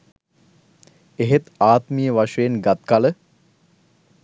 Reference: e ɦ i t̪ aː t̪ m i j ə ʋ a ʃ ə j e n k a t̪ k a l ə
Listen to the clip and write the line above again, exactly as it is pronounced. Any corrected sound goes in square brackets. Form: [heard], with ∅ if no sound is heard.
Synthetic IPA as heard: e ɦ [e] t̪ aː t̪ m i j ə ʋ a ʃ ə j e n [ɡ] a t̪ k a l ə